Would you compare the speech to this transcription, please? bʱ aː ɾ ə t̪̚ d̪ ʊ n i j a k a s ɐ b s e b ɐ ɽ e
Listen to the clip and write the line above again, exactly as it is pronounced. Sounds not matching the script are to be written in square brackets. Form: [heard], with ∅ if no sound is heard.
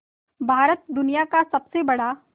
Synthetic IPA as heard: bʱ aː ɾ ə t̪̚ d̪ ʊ n i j a k a s ɐ b s e b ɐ ɽ [a]